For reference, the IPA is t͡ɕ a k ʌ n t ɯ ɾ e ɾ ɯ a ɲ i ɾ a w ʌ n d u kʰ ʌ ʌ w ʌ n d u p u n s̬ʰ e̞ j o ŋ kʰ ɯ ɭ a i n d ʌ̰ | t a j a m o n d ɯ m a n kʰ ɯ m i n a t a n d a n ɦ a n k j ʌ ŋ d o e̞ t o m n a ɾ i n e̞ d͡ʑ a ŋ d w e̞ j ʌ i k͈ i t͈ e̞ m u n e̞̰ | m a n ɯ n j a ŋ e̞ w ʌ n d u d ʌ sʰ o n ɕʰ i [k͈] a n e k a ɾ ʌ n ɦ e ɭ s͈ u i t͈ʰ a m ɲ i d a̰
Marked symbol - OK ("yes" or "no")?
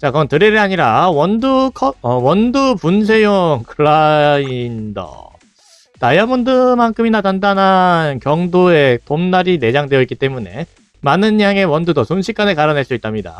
yes